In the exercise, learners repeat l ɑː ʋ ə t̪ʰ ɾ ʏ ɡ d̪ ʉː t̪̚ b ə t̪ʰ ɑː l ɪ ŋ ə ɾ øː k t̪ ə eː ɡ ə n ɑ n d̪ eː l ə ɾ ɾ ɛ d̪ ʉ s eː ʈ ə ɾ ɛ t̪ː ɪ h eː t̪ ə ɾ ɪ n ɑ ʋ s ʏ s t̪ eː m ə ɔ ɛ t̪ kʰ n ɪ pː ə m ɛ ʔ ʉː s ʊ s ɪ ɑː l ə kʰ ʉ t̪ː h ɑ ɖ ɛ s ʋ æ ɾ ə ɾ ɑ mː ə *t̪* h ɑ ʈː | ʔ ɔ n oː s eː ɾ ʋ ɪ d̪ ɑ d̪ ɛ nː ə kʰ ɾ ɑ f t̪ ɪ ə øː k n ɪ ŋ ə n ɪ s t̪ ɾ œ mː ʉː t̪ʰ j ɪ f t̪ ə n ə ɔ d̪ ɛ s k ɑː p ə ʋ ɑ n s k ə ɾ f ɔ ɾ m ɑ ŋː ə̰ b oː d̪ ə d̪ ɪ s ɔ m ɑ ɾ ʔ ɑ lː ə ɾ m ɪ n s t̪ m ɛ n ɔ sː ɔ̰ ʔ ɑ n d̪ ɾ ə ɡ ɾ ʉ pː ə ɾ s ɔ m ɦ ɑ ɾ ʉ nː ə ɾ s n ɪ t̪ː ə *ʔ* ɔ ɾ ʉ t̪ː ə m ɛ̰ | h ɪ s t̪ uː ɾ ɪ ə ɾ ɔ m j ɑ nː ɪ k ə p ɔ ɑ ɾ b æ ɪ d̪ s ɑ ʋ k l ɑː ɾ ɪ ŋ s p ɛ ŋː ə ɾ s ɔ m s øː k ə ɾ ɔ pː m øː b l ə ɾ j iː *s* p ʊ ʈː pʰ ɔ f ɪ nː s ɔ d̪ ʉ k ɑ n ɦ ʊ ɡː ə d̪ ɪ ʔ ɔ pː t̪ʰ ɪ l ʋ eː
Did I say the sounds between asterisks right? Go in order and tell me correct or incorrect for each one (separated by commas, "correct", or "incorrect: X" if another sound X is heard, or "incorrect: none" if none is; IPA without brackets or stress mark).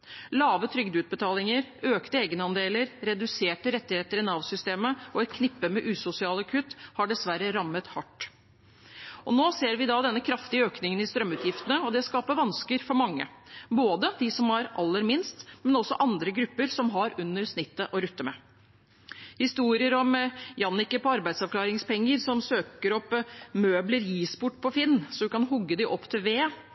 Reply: correct, correct, correct